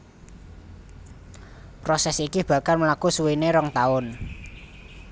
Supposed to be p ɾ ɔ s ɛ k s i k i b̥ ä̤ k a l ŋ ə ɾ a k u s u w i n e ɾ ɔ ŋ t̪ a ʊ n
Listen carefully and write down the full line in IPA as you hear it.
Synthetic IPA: p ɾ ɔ s ɛ s i k i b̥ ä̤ k a l m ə l a k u s u w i n e ɾ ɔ ŋ t̪ a ʊ n